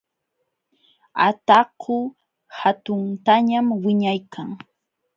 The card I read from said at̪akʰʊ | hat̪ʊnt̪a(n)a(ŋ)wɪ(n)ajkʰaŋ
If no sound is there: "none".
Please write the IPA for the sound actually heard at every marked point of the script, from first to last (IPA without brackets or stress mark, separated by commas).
ɲ, m, ɲ